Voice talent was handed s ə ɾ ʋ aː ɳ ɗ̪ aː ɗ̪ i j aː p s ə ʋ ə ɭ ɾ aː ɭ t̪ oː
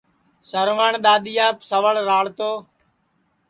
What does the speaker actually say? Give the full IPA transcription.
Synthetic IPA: s ə ɾ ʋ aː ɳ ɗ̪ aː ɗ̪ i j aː p s ə ʋ ə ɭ ɾ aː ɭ t̪ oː

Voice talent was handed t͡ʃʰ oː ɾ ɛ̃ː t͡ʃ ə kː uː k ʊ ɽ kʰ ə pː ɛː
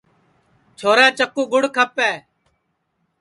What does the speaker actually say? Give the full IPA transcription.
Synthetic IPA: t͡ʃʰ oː ɾ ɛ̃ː t͡ʃ ə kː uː ɡ ʊ ɽ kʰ ə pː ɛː

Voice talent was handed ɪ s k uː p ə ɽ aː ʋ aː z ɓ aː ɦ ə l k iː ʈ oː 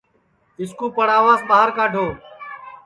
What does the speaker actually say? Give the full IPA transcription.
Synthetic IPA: ɪ s k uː p ə ɽ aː ʋ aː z ɓ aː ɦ ə ɾ k aː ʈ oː

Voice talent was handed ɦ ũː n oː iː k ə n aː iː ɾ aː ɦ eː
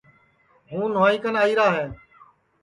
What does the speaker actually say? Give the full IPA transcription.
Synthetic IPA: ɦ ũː n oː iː k ə n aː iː ɾ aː ɦ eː

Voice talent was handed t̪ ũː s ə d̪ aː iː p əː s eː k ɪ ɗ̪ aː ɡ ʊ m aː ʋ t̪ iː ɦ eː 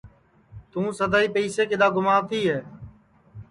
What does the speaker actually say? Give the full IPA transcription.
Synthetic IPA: t̪ ũː s ə d̪ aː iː p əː s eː k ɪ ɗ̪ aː ɡ ʊ m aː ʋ t̪ iː ɦ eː

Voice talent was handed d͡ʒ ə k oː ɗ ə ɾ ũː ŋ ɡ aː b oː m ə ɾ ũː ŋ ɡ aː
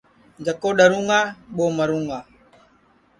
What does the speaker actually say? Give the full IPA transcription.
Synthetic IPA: d͡ʒ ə k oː ɗ ə ɾ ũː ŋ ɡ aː ɓ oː m ə ɾ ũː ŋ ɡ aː

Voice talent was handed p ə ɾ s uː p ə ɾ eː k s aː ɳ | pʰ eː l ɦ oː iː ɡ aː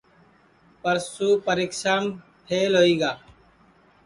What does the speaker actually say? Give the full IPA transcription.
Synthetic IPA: p ə ɾ s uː p ə ɾ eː k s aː m | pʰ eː l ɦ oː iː ɡ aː

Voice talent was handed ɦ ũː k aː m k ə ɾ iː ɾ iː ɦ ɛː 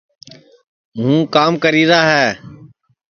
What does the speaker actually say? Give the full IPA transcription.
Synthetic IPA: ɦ ũː k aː m k ə ɾ iː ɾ aː ɦ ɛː

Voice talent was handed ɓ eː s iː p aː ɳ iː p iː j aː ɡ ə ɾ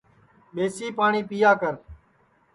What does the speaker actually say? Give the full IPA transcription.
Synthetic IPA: ɓ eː s iː p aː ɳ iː p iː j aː k ə ɾ

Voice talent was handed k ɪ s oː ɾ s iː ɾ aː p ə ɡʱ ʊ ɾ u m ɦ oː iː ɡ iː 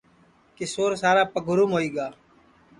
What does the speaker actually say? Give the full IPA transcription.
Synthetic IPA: k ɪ s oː ɾ s aː ɾ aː p ə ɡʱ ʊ ɾ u m ɦ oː iː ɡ aː

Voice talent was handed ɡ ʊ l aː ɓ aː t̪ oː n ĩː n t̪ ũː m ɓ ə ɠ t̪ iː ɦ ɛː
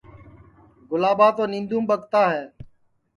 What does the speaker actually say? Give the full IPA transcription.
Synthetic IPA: ɡ ʊ l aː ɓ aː t̪ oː n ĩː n d̪ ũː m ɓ ə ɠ t̪ aː ɦ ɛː

